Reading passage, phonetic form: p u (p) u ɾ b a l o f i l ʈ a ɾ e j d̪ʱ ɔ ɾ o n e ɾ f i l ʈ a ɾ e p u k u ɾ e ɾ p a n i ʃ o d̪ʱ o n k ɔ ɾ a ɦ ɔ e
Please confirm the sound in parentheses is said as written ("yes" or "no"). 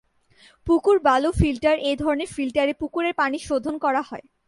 no